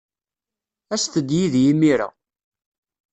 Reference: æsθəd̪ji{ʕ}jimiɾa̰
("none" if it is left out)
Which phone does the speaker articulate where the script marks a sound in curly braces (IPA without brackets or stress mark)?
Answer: ð